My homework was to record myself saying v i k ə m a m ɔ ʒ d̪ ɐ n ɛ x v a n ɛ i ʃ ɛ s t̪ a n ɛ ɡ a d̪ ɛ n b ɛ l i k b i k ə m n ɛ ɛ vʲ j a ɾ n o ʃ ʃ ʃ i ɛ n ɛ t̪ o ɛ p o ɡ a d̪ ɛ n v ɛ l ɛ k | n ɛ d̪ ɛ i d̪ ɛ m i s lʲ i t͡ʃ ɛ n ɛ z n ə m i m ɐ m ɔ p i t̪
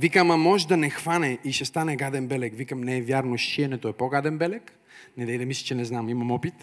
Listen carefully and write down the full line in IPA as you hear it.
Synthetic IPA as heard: v i k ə m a m ɔ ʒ d̪ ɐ n ɛ x v a n ɛ i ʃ ɛ s t̪ a n ɛ ɡ a d̪ ɛ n b ɛ l ɛ k v i k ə m n ɛ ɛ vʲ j a ɾ n o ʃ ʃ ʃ i ɛ n ɛ t̪ o ɛ p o ɡ a d̪ ɛ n b ɛ l ɛ k | n ɛ d̪ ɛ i d̪ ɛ m i s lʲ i t͡ʃ ɛ n ɛ z n a m i m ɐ m ɔ p i t̪